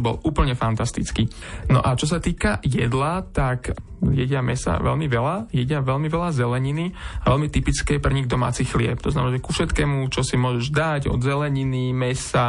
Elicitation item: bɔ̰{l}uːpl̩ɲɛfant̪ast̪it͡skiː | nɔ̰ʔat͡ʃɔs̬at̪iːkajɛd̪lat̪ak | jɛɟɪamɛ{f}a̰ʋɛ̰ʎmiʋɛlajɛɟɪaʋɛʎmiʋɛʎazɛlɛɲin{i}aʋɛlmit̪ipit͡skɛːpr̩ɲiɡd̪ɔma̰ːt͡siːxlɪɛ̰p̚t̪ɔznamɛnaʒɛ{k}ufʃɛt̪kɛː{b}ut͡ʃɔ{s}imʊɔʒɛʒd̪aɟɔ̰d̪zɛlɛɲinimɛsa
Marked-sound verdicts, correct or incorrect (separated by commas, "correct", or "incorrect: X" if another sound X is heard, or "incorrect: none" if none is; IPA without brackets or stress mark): correct, incorrect: s, correct, correct, incorrect: m, correct